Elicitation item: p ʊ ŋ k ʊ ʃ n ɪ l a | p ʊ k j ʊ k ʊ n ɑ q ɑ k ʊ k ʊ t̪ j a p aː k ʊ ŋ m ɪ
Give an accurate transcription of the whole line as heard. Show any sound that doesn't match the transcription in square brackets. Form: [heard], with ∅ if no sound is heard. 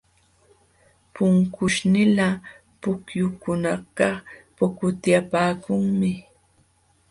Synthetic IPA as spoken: p ʊ ŋ k ʊ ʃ n ɪ l a | p ʊ k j ʊ k ʊ n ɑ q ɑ [p] ʊ k ʊ t̪ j a p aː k ʊ ŋ m ɪ